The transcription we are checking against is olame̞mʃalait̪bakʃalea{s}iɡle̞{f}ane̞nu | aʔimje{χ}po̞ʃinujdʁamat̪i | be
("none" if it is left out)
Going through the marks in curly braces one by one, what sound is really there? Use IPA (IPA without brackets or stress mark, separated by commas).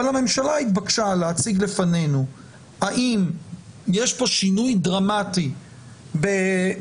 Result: t͡s, f, ʃ